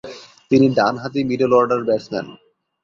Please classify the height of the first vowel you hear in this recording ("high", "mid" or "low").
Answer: high